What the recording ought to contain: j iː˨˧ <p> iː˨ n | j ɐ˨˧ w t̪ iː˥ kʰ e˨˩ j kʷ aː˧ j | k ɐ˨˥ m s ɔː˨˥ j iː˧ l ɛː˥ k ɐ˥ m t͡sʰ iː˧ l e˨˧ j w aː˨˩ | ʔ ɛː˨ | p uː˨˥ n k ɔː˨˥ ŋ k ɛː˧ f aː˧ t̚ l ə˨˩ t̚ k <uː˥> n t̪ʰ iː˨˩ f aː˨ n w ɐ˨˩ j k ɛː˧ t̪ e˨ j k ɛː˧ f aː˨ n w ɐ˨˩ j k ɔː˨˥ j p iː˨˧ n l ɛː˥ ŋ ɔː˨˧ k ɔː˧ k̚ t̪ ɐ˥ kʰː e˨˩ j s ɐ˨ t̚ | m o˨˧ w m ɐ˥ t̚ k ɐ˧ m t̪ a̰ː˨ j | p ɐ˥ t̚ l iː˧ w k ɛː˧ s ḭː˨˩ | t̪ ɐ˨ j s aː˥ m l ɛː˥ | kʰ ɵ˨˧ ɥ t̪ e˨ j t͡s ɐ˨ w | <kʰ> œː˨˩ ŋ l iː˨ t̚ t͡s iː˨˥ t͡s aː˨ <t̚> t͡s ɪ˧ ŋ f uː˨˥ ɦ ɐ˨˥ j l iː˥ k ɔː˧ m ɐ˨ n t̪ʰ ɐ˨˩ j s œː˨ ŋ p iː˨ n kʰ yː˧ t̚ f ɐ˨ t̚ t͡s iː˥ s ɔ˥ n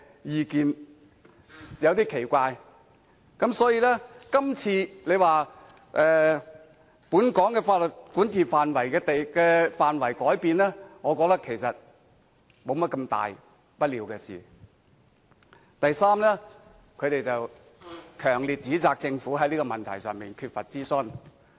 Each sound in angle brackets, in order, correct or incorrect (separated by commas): incorrect, incorrect, correct, incorrect